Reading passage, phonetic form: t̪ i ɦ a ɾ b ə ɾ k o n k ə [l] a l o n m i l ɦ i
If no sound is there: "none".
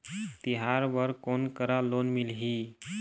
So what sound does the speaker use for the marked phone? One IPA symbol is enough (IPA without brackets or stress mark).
ɾ